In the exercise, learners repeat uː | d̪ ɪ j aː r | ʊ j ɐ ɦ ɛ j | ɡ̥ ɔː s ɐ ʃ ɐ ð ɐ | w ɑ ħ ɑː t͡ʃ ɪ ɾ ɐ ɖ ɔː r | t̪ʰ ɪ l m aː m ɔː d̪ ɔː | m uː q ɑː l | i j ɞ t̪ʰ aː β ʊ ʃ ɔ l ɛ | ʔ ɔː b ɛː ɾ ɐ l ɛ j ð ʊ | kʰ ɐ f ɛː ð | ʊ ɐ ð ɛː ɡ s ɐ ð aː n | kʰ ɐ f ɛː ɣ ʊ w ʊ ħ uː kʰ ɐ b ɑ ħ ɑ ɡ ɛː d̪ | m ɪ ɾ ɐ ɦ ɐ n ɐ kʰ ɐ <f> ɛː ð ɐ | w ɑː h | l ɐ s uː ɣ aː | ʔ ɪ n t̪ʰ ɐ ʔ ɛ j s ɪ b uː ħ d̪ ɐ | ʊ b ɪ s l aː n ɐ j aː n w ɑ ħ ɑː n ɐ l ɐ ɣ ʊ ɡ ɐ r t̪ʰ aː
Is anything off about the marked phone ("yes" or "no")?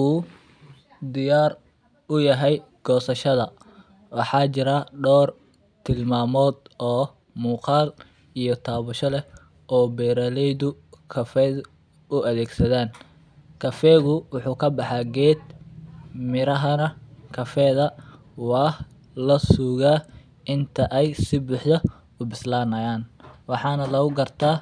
no